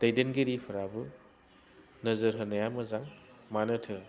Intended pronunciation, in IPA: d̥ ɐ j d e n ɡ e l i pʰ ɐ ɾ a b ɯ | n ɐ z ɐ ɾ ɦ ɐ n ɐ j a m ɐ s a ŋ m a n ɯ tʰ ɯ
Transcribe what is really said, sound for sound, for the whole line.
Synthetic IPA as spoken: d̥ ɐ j d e n ɡ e ɾ i pʰ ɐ ɾ a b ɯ | n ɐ z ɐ ɾ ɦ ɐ n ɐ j a m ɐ z a ŋ m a n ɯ tʰ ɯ